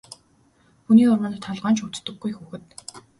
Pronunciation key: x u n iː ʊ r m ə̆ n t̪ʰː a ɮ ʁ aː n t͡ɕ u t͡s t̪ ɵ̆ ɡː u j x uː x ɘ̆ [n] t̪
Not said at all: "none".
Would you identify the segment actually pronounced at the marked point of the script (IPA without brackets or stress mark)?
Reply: none